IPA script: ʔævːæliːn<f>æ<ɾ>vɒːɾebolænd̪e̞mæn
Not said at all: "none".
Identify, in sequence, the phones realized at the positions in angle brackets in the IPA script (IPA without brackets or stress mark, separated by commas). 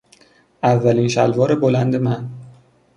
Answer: ʃ, l